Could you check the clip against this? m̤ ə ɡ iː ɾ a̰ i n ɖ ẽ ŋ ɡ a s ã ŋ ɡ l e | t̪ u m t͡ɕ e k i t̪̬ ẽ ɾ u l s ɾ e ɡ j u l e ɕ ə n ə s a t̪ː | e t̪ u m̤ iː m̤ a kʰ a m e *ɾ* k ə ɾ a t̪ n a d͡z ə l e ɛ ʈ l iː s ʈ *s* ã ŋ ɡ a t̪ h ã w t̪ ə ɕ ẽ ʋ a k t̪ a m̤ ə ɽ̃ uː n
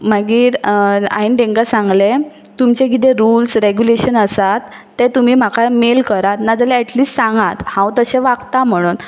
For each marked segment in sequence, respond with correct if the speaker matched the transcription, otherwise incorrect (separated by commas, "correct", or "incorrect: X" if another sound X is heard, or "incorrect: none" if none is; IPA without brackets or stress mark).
incorrect: l, correct